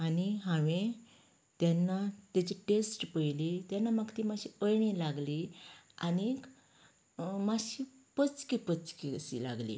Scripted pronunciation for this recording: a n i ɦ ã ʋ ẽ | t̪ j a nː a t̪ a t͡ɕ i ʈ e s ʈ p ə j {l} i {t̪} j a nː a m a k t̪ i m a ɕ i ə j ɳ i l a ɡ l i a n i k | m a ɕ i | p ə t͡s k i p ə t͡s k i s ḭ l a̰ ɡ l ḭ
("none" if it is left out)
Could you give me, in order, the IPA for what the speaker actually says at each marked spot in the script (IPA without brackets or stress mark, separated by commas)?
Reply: l, t̪